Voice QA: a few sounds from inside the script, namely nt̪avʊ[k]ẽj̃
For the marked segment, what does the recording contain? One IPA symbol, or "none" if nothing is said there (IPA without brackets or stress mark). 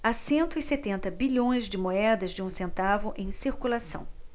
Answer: ʔ